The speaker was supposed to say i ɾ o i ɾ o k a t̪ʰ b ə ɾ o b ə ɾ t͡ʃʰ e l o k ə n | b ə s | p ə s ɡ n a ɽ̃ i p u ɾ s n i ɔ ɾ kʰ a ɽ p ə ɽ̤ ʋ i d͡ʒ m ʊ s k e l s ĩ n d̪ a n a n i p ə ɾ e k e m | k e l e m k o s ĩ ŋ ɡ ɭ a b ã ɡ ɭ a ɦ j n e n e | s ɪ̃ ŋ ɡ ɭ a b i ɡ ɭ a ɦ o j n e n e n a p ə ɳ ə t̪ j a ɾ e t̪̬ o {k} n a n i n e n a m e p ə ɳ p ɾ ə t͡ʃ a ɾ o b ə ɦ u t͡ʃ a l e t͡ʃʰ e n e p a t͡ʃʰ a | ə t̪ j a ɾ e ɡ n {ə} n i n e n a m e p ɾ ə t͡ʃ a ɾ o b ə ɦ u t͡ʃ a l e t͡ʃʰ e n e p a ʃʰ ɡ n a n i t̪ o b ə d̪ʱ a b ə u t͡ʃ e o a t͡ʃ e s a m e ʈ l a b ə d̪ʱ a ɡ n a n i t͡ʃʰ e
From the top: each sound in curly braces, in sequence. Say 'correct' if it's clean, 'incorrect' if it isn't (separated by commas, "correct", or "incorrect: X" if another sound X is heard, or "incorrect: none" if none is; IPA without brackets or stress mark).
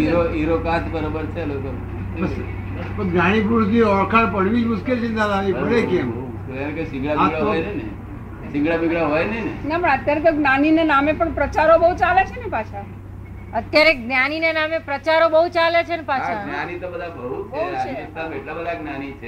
incorrect: ɡ, incorrect: a